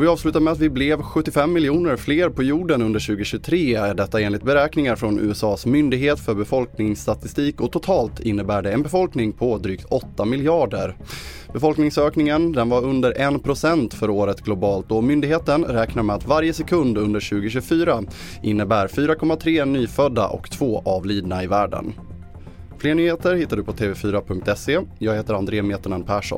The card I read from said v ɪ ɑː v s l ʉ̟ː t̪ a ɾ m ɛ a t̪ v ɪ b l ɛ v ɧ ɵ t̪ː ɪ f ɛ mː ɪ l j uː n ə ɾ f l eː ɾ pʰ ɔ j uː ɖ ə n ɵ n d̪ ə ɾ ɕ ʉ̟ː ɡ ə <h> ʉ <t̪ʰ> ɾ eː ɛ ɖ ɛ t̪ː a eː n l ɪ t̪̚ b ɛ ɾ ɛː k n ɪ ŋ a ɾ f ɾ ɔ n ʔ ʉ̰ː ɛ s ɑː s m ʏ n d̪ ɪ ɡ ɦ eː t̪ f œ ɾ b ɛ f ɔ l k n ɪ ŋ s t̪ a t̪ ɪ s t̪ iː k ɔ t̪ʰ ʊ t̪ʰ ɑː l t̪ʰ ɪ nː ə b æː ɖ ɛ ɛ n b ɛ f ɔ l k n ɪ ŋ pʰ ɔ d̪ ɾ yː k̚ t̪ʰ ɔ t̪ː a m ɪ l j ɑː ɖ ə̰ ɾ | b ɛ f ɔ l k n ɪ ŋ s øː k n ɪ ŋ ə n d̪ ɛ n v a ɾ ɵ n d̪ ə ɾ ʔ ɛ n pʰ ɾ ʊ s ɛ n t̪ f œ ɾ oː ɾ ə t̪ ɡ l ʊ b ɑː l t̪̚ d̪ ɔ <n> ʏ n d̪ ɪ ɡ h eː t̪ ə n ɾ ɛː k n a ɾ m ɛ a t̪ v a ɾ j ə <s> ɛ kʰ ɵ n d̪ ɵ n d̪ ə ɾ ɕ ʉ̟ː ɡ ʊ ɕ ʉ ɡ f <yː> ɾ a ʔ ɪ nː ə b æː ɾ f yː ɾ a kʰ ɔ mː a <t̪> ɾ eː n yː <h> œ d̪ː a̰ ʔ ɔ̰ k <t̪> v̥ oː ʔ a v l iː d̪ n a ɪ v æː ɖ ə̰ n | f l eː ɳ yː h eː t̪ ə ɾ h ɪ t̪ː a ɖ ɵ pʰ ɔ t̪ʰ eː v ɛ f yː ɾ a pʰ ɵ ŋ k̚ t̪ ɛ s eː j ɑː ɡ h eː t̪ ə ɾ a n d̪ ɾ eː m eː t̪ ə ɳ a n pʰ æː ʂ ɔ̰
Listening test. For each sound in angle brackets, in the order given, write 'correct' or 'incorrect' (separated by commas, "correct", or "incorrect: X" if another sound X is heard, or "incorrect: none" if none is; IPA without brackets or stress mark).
incorrect: ɕ, correct, incorrect: m, correct, correct, incorrect: t̪ʰ, incorrect: f, incorrect: t̪ʰ